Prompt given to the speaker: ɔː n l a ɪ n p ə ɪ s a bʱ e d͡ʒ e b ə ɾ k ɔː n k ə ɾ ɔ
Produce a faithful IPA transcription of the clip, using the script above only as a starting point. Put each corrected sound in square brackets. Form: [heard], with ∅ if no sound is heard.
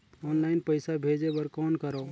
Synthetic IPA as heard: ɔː n l a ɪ n p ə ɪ s a bʱ e d͡ʒ e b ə ɾ k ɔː n k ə ɾ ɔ